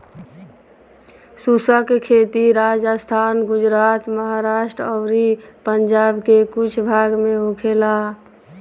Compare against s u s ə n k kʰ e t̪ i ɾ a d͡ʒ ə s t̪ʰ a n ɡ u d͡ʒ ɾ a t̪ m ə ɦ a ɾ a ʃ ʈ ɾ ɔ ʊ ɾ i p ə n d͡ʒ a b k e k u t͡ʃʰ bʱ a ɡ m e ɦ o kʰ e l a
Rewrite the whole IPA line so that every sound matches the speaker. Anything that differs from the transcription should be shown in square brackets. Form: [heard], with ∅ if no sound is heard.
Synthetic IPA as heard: s u s ə [∅] k kʰ e t̪ i ɾ a d͡ʒ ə s t̪ʰ a n ɡ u d͡ʒ ɾ a t̪ m ə ɦ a ɾ a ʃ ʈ ɾ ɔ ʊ ɾ i p ə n d͡ʒ a b k e k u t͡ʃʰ bʱ a ɡ m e ɦ o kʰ e l a